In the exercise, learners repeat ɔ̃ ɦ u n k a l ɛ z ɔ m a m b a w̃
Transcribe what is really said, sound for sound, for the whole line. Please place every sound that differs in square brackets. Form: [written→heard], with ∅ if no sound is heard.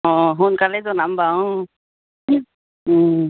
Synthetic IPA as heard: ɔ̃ ɦ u n k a l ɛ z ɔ [m→n] a m b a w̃

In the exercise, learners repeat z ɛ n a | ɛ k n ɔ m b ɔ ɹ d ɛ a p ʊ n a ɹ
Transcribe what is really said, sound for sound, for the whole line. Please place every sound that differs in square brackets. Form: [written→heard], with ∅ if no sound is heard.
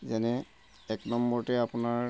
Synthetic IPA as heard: z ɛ n [a→ɛ] | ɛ k n ɔ m b ɔ ɹ [d→t] ɛ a p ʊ n a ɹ

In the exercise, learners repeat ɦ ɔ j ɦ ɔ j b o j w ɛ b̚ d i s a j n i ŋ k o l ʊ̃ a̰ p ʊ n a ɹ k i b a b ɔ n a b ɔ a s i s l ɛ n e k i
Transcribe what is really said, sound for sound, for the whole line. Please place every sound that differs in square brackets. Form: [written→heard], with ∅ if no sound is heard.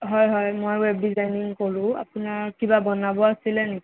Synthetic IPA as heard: ɦ ɔ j ɦ ɔ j [b→m] o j w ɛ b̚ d i [s→z] a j n i ŋ k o [l→ɹ] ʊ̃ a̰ p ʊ n a ɹ k i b a b ɔ n a b ɔ a s i [s→∅] l ɛ n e k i

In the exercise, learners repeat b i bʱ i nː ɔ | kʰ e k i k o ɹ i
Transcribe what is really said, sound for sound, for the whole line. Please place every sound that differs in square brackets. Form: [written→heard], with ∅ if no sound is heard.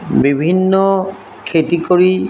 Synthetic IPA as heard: b i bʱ i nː ɔ | kʰ e [k→t] i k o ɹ i

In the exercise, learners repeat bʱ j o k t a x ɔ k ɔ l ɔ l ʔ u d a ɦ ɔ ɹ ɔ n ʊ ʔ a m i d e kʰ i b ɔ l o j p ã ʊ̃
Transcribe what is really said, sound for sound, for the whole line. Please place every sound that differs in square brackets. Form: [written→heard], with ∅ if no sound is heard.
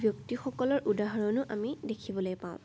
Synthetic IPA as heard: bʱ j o k t [a→i] x ɔ k ɔ l ɔ [l→ɹ] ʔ u d a ɦ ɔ ɹ ɔ n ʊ ʔ a m i d e kʰ i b ɔ l o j p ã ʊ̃

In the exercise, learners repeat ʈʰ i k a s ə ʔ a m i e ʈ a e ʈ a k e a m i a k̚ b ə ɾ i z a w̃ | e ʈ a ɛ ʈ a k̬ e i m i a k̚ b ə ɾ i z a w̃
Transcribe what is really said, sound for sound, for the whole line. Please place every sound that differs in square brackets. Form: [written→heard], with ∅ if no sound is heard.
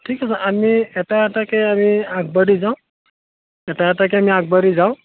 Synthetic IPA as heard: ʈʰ i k a s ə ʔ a m i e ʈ a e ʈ a k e a m i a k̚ b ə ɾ i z a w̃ | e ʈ a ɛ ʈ a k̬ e [i→a] m i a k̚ b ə ɾ i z a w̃

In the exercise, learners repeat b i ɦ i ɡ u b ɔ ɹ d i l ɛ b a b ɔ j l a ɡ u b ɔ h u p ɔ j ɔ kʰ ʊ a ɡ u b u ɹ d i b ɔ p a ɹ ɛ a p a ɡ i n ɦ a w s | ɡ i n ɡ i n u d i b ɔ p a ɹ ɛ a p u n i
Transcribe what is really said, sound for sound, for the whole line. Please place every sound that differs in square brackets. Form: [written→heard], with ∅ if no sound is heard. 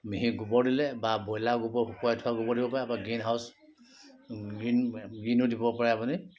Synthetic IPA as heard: [b→m] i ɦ i ɡ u b ɔ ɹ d i l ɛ b a b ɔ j l a ɡ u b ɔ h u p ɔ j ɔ [kʰ→tʰ] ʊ a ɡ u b [u→ɔ] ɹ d i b ɔ p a ɹ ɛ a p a ɡ i n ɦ a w s | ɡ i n ɡ i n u d i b ɔ p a ɹ ɛ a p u n i

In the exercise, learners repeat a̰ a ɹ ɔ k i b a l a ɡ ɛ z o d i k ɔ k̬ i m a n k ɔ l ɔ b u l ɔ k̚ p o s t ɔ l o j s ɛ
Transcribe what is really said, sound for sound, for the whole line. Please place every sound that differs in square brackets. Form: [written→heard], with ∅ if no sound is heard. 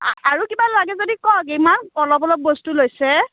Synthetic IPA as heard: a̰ a ɹ [ɔ→u] k i b a l a ɡ ɛ z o d i k ɔ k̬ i m a n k ɔ l ɔ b [u→ɔ] l ɔ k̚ [p→b] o s t [ɔ→u] l o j s ɛ

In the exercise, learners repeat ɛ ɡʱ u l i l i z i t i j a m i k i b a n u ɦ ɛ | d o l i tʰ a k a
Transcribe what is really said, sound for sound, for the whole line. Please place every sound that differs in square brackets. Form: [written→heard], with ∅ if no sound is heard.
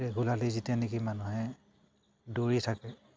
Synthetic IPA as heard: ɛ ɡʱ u l [i→a] l i z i t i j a [m→n] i k i [b→m] a n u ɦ ɛ | d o [l→ɹ] i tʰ a k [a→ɛ]

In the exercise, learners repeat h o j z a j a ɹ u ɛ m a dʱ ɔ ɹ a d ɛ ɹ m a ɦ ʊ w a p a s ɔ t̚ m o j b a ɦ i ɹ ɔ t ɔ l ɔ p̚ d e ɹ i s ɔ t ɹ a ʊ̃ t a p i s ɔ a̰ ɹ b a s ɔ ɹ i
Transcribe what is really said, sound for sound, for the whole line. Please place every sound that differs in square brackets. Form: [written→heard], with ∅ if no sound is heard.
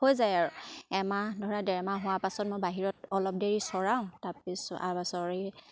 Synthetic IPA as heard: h o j z a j a ɹ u ɛ m a dʱ ɔ ɹ a d ɛ ɹ m a ɦ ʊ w a p a s ɔ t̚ m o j b a ɦ i ɹ ɔ t ɔ l ɔ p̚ d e ɹ i s ɔ [t→∅] ɹ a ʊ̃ t a p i s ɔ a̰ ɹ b a s ɔ ɹ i

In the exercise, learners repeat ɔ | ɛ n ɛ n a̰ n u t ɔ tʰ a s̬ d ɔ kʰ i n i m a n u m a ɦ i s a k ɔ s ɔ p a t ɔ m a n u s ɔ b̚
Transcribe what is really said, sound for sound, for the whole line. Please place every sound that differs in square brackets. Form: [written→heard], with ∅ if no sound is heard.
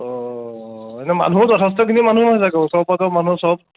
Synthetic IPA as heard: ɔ | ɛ n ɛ [n→m] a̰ n u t ɔ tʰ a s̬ [d→t] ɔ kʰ i n i m a n u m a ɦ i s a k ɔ s ɔ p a t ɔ m a n u s ɔ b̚

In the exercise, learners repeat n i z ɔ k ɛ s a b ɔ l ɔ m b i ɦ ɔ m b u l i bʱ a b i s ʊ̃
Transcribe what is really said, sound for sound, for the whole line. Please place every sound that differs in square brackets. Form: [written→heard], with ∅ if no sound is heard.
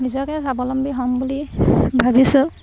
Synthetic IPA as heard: n i z ɔ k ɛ s a b ɔ l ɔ m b i ɦ ɔ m b u l i bʱ a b i s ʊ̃

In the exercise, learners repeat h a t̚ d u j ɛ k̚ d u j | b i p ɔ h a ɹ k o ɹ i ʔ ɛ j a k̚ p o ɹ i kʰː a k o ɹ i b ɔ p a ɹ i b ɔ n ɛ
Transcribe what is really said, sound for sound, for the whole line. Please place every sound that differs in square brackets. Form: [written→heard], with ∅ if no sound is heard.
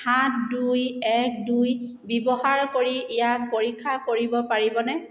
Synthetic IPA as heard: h a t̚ d u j ɛ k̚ d u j | b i [p→b] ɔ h a ɹ k o ɹ i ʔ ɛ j a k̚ p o ɹ i kʰː a k o ɹ i b ɔ p a ɹ i b ɔ n ɛ

